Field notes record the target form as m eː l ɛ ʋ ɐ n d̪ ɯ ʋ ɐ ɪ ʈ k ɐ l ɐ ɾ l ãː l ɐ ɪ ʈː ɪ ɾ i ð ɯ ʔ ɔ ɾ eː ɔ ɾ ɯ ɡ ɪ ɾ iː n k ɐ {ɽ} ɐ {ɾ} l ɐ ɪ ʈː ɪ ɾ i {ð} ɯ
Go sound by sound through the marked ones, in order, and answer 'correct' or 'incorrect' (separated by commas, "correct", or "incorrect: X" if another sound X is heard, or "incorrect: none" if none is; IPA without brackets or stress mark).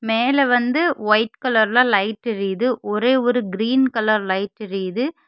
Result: incorrect: l, correct, correct